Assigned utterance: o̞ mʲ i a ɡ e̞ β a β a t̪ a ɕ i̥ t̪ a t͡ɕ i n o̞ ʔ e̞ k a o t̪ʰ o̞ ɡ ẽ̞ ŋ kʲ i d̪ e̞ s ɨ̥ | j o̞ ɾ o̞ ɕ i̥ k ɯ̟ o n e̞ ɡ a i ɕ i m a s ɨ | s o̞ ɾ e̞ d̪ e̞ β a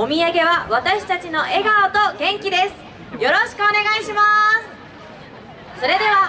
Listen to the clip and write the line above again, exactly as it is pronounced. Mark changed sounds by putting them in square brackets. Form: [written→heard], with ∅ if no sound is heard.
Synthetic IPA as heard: o̞ mʲ i a ɡ e̞ β a β a t̪ a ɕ i̥ t̪ a t͡ɕ i n o̞ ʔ e̞ [k→ɡ] a o [t̪ʰ→t̪] o̞ ɡ ẽ̞ ŋ kʲ i d̪ e̞ s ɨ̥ | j o̞ ɾ o̞ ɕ i̥ k ɯ̟ o n e̞ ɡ a i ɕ i m a s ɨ | s o̞ ɾ e̞ d̪ e̞ β a

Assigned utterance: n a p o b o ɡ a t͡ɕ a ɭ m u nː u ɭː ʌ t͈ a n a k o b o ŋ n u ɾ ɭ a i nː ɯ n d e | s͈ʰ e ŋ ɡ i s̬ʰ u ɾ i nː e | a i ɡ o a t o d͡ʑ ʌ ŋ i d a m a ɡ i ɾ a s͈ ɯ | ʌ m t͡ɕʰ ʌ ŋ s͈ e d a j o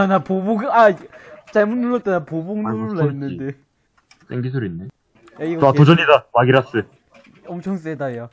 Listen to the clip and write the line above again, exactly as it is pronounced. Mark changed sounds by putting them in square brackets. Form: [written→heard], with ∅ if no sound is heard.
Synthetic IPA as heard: n a p o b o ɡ a t͡ɕ a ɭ m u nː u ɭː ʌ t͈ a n a [k→p] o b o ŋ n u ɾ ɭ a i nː ɯ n d e | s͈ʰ e ŋ ɡ i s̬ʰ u ɾ i nː e | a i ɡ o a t o d͡ʑ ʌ [ŋ→ɲ] i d a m a ɡ i ɾ a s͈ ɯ | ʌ m t͡ɕʰ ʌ ŋ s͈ e d a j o

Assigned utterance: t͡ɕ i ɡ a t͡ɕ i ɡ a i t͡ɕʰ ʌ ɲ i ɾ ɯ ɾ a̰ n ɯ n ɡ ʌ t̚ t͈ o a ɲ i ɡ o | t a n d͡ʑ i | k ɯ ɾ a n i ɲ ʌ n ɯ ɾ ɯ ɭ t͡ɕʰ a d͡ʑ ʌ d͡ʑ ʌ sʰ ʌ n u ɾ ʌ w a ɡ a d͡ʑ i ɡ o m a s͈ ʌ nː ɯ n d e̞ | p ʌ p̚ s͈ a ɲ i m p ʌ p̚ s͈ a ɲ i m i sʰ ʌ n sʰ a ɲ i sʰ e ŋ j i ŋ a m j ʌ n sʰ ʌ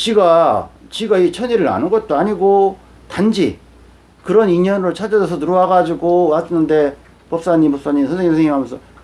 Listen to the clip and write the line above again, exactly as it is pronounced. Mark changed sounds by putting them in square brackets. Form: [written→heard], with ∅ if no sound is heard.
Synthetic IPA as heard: t͡ɕ i ɡ a t͡ɕ i ɡ a i t͡ɕʰ ʌ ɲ i ɾ ɯ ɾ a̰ n ɯ n ɡ ʌ t̚ t͈ o a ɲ i ɡ o | t a n d͡ʑ i | k ɯ ɾ [a→ʌ] n i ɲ ʌ n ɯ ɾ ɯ ɭ t͡ɕʰ a d͡ʑ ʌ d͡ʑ ʌ sʰ ʌ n u ɾ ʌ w a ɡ a d͡ʑ i ɡ o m a s͈ ʌ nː ɯ n d e̞ | p ʌ p̚ s͈ a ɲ i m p ʌ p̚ s͈ a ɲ i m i sʰ ʌ n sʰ [a→e] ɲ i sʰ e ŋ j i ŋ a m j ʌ n sʰ ʌ

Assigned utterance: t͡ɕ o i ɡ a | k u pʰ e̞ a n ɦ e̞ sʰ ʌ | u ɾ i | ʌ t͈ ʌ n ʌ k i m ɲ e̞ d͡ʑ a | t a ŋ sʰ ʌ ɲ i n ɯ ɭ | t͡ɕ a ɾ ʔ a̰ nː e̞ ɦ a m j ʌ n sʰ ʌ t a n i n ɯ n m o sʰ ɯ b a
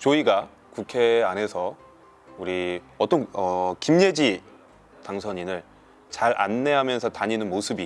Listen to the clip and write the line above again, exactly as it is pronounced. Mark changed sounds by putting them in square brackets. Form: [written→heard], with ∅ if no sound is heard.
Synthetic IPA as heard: t͡ɕ o i ɡ a | k u [pʰ→kʰ] e̞ a n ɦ e̞ sʰ ʌ | u ɾ i | ʌ t͈ ʌ n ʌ k i m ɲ e̞ d͡ʑ [a→i] | t a ŋ sʰ ʌ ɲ i n ɯ ɭ | t͡ɕ a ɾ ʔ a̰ nː e̞ ɦ a m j ʌ n sʰ ʌ t a [n→ɲ] i n ɯ n m o sʰ ɯ b [a→i]

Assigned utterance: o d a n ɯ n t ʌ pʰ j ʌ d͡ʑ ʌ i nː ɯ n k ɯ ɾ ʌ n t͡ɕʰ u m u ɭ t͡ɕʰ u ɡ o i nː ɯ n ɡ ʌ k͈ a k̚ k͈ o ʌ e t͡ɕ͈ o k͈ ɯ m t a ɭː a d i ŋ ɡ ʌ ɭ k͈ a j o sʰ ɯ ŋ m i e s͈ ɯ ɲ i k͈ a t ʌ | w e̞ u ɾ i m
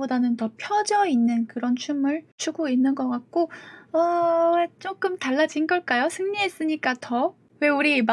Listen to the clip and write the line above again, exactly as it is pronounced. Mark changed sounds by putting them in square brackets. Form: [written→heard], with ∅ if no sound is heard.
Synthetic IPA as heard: o d a n ɯ n t ʌ pʰ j ʌ d͡ʑ ʌ i nː ɯ n k ɯ ɾ ʌ n t͡ɕʰ u m [u→ɯ] ɭ t͡ɕʰ u ɡ o i nː ɯ n ɡ ʌ k͈ a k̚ k͈ o ʌ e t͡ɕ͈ o k͈ ɯ m t a ɭː a [d→d͡ʑ] i [ŋ→n] ɡ ʌ ɭ k͈ a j o sʰ ɯ ŋ [m→ɲ] i e s͈ ɯ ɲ i k͈ a t ʌ | w e̞ u ɾ i m

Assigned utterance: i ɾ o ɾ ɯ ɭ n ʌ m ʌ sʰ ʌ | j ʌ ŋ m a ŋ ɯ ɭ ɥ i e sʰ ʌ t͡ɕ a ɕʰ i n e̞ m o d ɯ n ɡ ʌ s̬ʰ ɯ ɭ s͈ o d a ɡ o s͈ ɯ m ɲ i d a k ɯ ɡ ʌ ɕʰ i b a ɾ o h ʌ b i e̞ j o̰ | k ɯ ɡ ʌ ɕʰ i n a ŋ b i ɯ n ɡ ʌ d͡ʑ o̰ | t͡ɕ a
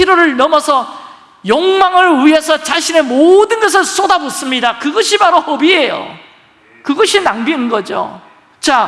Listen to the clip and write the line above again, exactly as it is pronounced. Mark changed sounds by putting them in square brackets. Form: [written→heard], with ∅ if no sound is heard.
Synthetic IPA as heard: i ɾ o ɾ ɯ ɭ n ʌ m ʌ sʰ ʌ | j ʌ ŋ m a ŋ ɯ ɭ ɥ i e sʰ ʌ t͡ɕ a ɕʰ i n e̞ m o d ɯ n ɡ ʌ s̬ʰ ɯ ɭ s͈ o d a [ɡ→b] o s͈ ɯ m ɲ i d a k ɯ ɡ ʌ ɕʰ i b a ɾ o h ʌ b i e̞ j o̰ | k ɯ ɡ ʌ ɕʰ i n a ŋ b i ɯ n ɡ ʌ d͡ʑ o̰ | t͡ɕ a

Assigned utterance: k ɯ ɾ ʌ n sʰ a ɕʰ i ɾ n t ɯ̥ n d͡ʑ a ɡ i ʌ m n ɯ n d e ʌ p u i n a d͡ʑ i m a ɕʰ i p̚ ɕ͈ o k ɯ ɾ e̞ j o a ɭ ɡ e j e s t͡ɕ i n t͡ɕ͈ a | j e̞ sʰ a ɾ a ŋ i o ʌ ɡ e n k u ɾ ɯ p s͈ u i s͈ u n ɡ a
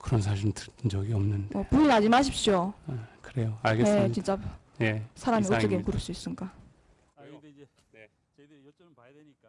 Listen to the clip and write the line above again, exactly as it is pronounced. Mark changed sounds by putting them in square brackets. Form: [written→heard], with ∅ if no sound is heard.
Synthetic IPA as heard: k ɯ ɾ ʌ n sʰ a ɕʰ i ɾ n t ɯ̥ n d͡ʑ [a→ʌ] ɡ i ʌ m n ɯ n d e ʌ p u i n a d͡ʑ i m a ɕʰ i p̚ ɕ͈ o k ɯ ɾ e̞ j o a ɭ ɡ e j e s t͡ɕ i n t͡ɕ͈ a | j e̞ sʰ a ɾ a [ŋ→m] i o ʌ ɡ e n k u ɾ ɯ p s͈ u i s͈ [u→ɯ] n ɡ a

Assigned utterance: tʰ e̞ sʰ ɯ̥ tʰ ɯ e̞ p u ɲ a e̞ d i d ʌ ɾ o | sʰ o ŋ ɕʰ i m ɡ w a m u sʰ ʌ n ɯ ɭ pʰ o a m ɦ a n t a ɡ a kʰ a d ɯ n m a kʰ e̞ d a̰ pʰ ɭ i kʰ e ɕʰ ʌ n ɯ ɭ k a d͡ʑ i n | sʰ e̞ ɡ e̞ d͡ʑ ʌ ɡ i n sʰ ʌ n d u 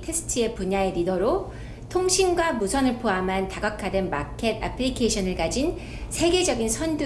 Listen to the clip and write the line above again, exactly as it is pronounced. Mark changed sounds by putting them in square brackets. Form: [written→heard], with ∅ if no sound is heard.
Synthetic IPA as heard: tʰ e̞ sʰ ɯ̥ tʰ ɯ e̞ p u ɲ a e̞ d i d ʌ ɾ o | [sʰ→tʰ] o ŋ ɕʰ i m ɡ w a m u sʰ ʌ n ɯ ɭ pʰ o a m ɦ a n t a ɡ a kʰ a d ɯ n m a kʰ e̞ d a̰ pʰ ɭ i kʰ e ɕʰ ʌ n ɯ ɭ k a d͡ʑ i n | sʰ e̞ ɡ e̞ d͡ʑ ʌ ɡ i n sʰ ʌ n d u

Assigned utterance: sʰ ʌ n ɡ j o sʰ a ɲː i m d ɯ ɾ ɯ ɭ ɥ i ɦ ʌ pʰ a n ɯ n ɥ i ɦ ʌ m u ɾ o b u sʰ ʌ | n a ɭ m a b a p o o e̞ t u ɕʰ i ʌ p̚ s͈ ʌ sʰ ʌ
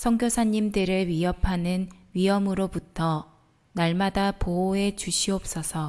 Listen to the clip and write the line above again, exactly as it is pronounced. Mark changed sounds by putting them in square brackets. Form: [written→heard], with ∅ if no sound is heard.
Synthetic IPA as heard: sʰ ʌ [n→ŋ] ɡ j o sʰ a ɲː i m d ɯ ɾ ɯ ɭ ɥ i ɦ ʌ pʰ a n ɯ n ɥ i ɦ ʌ m [u→ɯ] ɾ o b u [sʰ→tʰ] ʌ | n a ɭ m a [b→d] a p o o e̞ [t→t͡ɕ] u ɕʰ i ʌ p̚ s͈ ʌ sʰ ʌ

